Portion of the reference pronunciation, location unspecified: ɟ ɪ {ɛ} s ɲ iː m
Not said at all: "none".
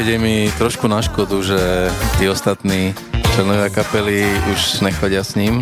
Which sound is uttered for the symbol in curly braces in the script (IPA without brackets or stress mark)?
a